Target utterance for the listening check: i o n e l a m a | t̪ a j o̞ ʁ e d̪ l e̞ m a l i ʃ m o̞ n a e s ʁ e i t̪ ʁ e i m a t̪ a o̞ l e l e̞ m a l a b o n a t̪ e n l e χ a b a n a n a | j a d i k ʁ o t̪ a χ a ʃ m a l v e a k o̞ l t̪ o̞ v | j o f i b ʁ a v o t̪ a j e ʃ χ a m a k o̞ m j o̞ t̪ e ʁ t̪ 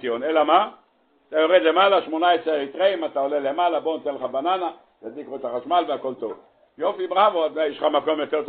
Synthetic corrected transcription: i o n e l a m a | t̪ a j o̞ ʁ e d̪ l e̞ m a l a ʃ m o̞ n a e s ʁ e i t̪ ʁ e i m a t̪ a o̞ l e l e̞ m a l a b o n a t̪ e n l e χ a b a n a n a | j a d i k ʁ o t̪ a χ a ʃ m a l v e a k o̞ l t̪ o̞ v | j o f i b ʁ a v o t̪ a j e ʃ χ a m a k o̞ m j o̞ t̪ e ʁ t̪